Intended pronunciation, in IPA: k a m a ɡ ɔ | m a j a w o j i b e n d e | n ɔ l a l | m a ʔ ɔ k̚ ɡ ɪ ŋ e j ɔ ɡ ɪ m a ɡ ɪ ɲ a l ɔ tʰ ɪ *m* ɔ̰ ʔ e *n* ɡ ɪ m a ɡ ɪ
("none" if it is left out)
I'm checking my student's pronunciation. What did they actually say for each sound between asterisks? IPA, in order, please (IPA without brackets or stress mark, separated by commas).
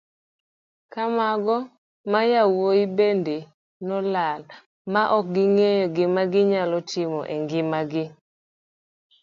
m, ŋ